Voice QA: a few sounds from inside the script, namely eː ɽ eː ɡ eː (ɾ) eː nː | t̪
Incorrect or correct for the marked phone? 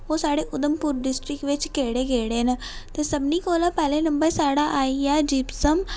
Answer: incorrect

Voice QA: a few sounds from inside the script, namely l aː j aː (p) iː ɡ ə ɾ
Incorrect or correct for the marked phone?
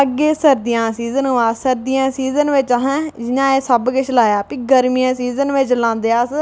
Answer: correct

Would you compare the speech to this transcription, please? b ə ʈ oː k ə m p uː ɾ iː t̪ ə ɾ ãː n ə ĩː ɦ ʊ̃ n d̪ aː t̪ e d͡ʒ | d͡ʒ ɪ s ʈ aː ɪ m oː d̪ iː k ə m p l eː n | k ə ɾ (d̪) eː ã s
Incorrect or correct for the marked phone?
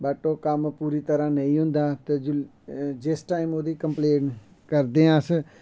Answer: correct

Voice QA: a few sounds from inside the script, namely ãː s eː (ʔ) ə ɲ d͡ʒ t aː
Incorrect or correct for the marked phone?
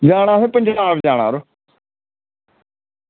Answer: incorrect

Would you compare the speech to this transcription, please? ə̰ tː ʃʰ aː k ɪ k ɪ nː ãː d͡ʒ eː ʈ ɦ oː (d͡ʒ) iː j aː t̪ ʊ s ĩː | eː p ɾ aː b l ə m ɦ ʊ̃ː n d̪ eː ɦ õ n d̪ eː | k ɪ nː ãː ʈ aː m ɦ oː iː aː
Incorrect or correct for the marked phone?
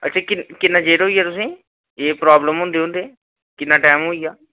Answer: incorrect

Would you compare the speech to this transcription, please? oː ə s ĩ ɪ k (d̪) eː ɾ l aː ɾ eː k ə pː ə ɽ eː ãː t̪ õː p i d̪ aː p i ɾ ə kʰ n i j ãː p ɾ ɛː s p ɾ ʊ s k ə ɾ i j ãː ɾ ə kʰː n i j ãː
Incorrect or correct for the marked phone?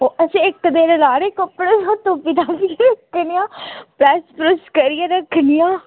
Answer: correct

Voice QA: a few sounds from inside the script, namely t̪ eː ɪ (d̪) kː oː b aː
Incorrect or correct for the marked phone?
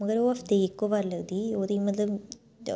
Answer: incorrect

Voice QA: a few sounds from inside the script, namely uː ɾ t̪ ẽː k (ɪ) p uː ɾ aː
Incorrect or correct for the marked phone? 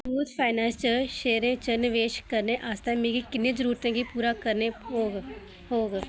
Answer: incorrect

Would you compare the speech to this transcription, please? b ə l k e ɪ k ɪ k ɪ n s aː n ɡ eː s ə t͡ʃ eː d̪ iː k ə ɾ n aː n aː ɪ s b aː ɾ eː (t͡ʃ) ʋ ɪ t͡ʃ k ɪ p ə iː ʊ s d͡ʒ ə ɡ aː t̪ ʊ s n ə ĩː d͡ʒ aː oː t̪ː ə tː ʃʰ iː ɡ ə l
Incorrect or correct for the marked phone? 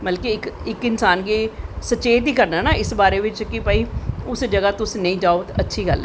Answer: incorrect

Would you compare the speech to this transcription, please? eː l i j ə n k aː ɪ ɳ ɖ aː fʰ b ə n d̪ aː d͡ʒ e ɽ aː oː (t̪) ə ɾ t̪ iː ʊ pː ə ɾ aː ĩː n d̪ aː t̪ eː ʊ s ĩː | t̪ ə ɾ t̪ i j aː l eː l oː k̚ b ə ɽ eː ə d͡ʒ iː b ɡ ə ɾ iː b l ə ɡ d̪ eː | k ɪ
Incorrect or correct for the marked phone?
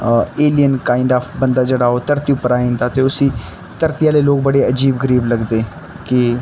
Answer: correct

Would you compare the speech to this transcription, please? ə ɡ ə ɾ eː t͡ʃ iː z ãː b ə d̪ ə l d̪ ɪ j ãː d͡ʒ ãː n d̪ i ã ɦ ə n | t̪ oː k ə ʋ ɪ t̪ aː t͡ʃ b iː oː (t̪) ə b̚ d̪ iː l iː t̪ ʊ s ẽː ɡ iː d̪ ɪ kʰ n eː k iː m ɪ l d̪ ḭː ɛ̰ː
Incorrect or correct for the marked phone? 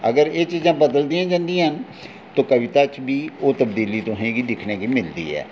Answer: correct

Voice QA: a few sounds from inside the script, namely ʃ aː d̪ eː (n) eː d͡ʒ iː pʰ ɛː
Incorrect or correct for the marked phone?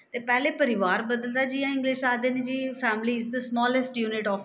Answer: correct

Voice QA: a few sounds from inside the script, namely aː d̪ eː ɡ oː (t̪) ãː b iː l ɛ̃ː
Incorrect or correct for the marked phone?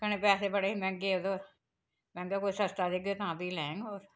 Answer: correct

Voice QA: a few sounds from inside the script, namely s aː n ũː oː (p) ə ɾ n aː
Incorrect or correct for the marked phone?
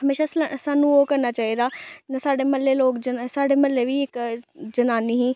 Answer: incorrect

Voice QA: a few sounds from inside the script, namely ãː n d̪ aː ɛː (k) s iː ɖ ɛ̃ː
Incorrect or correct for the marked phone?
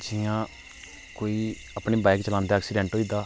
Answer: correct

